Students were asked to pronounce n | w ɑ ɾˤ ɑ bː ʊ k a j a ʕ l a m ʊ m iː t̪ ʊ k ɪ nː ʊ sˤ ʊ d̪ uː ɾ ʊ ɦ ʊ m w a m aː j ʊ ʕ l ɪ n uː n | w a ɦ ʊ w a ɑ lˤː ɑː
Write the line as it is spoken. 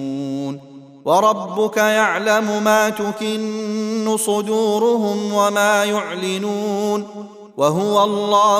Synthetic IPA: n | w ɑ ɾˤ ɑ bː ʊ k a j a ʕ l a m ʊ m aː t̪ ʊ k ɪ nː ʊ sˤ ʊ d̪ uː ɾ ʊ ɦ ʊ m w a m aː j ʊ ʕ l ɪ n uː n | w a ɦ ʊ w a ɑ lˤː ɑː